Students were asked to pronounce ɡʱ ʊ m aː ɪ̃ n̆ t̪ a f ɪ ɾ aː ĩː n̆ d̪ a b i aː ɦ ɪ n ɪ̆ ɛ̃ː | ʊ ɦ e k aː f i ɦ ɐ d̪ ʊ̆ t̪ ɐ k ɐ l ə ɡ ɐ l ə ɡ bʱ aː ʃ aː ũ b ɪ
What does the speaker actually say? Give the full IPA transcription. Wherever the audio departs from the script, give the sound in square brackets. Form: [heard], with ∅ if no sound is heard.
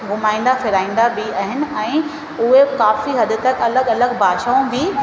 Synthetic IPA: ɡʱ ʊ m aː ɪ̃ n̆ [d̪] a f ɪ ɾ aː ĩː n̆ d̪ a b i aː ɦ ɪ n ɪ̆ ɛ̃ː | ʊ ɦ e k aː f i ɦ ɐ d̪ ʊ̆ t̪ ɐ k ɐ l ə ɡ ɐ l ə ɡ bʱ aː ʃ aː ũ b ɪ